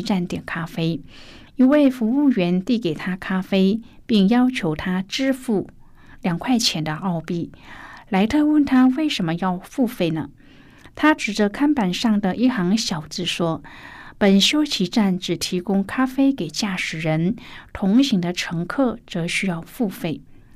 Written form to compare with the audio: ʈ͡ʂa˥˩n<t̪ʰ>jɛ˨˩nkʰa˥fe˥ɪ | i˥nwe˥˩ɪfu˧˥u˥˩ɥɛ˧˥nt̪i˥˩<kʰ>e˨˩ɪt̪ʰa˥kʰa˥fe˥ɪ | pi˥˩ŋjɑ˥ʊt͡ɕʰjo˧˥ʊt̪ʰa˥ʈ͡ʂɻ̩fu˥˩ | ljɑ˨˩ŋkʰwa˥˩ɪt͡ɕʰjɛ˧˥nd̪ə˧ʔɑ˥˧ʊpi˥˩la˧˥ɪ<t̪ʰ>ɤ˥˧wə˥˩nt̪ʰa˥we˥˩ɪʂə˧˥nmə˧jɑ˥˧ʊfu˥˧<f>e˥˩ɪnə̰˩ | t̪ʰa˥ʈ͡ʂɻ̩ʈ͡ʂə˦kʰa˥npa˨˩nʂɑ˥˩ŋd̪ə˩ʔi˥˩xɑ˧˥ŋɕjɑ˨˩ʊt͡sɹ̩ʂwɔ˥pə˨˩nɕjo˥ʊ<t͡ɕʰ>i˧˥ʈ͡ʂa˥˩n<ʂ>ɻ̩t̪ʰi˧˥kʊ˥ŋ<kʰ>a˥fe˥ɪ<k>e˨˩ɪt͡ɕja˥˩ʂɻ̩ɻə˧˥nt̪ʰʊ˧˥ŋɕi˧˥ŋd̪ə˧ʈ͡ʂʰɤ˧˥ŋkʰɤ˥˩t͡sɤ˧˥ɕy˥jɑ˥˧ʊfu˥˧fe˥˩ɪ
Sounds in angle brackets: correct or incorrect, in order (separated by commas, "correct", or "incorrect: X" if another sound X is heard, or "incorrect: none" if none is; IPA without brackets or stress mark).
incorrect: t̪, incorrect: k, correct, correct, correct, incorrect: ʈ͡ʂ, correct, correct